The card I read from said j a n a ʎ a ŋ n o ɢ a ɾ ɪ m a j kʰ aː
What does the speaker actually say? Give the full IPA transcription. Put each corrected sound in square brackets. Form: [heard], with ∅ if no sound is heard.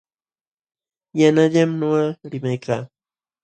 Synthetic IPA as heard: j a n a ʎ a [m] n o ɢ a ɾ ɪ m a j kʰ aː